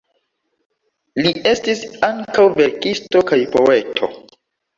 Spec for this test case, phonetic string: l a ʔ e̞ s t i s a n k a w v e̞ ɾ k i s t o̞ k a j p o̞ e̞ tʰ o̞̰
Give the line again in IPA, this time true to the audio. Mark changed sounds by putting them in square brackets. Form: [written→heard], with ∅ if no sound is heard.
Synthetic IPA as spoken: l [a→i] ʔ e̞ s t i s a [n→ŋ] k a w v e̞ ɾ k i s t o̞ k a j p o̞ e̞ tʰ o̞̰